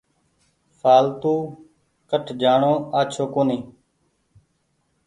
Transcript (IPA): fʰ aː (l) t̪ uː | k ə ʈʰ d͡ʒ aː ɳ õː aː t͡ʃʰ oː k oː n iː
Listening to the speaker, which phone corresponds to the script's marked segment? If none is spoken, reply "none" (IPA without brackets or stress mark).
l